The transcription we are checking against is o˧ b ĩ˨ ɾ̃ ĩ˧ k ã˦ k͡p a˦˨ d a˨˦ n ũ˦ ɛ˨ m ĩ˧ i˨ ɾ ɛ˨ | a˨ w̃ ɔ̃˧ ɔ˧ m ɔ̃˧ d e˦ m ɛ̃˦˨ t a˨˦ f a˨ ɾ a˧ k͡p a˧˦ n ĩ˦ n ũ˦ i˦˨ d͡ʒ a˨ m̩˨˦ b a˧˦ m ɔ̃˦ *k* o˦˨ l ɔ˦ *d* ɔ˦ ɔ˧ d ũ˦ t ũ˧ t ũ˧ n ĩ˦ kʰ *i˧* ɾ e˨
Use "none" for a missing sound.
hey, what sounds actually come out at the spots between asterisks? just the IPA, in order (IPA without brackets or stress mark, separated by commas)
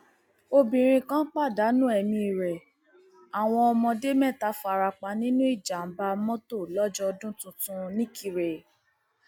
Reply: t, d͡ʒ, i˧